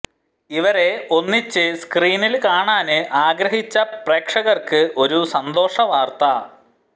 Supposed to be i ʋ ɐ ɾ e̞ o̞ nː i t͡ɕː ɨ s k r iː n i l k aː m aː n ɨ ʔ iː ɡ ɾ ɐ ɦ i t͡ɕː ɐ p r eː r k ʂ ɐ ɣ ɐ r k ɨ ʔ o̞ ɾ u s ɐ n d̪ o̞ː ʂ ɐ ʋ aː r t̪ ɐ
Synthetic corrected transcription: i ʋ ɐ ɾ e̞ o̞ nː i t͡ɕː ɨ s k r iː n i l k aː ɳ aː n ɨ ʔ aː ɡ ɾ ɐ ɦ i t͡ɕː ɐ p r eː k ʂ ɐ ɣ ɐ r k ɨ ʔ o̞ ɾ u s ɐ n d̪ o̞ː ʂ ɐ ʋ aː r t̪ ɐ